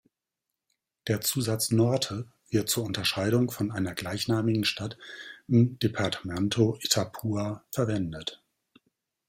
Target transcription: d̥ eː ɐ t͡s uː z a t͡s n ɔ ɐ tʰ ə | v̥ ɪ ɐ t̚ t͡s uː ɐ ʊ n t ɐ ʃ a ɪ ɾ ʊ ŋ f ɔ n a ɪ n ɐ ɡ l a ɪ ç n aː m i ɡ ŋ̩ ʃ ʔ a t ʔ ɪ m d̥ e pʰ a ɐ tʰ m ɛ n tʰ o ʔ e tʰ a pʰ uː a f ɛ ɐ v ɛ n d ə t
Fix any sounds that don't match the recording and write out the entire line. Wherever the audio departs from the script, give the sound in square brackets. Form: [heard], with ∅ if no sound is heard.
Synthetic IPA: d̥ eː ɐ t͡s uː z a t͡s n ɔ ɐ tʰ ə | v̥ ɪ ɐ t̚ t͡s uː ɐ ʊ n t ɐ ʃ a ɪ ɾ ʊ ŋ f ɔ n a ɪ n ɐ ɡ l a ɪ ç n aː m [ɪ] ɡ ŋ̩ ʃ [t] a t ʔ ɪ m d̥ e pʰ a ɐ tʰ m ɛ n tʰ o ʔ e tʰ a pʰ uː a f ɛ ɐ v ɛ n d ə t